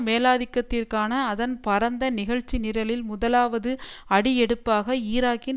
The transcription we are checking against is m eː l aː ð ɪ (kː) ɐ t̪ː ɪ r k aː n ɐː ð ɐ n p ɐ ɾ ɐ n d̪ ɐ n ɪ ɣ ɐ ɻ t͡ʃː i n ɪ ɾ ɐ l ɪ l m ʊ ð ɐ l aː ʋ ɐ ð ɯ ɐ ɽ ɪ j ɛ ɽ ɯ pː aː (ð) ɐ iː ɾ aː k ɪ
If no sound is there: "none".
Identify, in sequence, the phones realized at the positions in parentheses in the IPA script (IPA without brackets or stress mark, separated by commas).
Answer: kː, ɣ